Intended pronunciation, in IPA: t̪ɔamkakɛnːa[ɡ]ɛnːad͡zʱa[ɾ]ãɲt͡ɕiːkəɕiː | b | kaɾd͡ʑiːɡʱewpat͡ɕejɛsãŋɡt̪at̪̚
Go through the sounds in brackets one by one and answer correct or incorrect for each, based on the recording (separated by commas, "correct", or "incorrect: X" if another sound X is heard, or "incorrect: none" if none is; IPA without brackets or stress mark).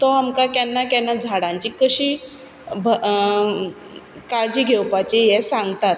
incorrect: k, incorrect: ɽ